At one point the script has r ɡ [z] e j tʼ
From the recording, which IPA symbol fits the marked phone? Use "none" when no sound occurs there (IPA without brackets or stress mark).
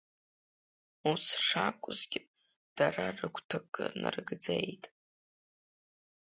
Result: d͡z